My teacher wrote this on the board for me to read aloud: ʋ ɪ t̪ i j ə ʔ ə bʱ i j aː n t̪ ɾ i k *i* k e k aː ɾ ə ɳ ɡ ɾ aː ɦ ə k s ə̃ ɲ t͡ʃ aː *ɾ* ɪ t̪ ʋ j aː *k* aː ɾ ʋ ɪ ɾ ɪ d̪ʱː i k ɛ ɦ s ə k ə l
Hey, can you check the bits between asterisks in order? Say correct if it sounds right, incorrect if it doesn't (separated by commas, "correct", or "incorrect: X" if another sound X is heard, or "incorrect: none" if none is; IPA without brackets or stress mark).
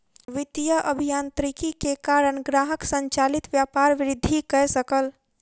correct, incorrect: l, incorrect: p